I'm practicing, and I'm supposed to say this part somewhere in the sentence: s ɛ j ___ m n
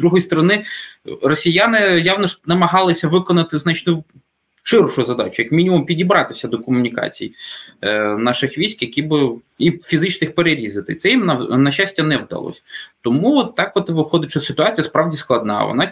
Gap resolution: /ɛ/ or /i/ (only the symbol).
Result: i